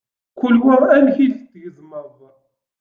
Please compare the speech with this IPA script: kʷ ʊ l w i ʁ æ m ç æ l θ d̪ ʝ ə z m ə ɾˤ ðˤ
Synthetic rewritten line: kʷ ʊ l w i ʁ æ n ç i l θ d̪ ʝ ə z m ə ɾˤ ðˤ